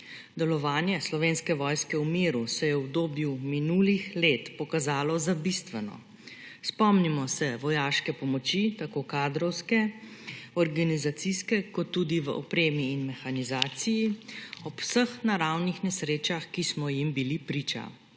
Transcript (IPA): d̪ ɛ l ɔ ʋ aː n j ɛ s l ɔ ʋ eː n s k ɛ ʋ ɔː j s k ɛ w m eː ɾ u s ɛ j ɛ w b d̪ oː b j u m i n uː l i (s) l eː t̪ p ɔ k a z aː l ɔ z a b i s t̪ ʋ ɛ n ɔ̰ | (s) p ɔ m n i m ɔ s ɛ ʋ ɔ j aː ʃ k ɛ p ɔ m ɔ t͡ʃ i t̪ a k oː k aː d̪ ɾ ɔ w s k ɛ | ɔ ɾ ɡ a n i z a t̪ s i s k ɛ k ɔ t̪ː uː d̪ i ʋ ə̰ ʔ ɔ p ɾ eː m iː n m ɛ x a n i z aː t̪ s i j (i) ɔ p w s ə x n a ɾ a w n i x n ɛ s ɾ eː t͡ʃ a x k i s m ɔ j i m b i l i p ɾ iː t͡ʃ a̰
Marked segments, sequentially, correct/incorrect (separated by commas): incorrect, correct, correct